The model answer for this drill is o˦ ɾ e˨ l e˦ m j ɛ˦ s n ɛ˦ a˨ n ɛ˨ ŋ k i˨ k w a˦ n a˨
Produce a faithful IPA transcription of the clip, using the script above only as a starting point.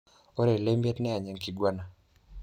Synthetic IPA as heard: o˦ ɾ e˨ l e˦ m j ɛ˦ t n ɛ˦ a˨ ɲ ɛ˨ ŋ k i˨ ɡ w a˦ n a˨